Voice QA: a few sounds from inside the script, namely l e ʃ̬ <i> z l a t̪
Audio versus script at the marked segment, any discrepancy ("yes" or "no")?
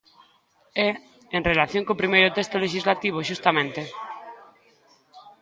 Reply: no